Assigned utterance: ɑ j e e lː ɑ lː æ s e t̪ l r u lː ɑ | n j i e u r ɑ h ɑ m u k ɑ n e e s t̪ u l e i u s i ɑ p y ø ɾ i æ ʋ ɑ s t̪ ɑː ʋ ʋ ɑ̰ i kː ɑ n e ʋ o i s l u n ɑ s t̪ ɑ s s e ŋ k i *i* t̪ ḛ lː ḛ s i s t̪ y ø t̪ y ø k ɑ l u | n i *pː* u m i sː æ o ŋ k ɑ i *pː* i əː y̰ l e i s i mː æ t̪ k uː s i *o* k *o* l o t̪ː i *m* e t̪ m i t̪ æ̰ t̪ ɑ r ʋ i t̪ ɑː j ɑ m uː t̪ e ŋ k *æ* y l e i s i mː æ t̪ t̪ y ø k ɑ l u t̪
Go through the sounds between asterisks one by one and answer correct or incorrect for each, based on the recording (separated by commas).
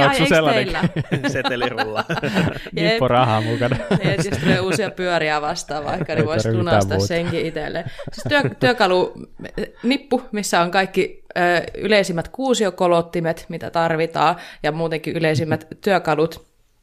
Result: correct, correct, incorrect, correct, correct, correct, incorrect